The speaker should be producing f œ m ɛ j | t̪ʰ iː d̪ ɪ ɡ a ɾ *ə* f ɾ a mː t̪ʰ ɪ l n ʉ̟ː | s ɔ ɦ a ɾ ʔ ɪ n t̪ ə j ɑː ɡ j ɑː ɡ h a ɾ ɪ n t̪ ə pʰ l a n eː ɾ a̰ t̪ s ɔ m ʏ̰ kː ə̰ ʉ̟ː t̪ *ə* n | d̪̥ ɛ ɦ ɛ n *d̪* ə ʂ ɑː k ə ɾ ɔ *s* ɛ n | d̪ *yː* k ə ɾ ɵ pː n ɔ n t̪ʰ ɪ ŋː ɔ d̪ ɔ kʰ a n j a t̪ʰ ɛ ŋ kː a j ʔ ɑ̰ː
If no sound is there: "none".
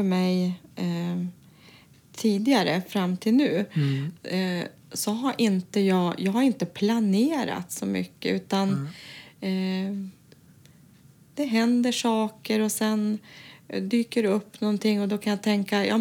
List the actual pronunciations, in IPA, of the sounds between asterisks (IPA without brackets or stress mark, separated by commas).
ə, a, d̪, s, yː